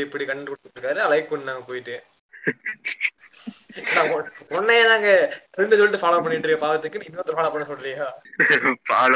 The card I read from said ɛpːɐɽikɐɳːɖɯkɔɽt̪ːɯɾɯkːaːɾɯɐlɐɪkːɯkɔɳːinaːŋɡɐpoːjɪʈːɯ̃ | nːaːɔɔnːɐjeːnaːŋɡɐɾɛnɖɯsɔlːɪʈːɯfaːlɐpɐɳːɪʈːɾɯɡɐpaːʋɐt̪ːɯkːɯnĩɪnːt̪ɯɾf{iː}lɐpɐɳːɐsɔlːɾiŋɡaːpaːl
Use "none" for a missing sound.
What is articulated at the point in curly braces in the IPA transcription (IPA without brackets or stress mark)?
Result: aː